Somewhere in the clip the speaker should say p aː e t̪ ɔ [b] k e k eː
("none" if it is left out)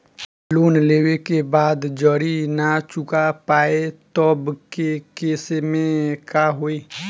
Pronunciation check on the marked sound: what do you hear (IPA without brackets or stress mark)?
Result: b